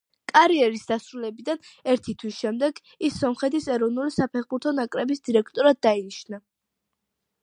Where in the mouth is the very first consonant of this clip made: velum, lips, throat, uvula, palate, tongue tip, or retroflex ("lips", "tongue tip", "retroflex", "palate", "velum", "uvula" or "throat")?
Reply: velum